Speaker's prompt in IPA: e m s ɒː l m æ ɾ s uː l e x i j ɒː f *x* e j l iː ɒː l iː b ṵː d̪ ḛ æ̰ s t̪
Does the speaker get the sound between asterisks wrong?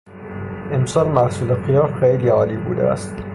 no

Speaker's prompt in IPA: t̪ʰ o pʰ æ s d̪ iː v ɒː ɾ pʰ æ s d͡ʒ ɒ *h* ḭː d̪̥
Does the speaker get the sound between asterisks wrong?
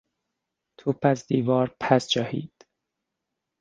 no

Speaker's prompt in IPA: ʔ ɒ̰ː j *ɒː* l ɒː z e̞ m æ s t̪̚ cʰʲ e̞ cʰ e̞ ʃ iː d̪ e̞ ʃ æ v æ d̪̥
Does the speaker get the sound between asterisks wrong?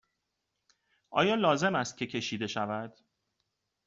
no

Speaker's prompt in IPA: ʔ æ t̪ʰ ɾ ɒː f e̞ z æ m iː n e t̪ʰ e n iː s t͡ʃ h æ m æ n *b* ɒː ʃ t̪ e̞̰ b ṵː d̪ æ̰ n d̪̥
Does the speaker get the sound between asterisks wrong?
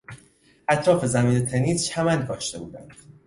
yes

